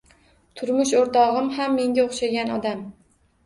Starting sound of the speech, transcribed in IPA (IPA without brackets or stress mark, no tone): t̪ʰ